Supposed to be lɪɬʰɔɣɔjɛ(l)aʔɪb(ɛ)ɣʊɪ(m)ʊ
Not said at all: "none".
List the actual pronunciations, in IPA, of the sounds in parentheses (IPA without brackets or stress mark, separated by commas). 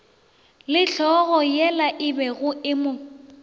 l, ɛ, m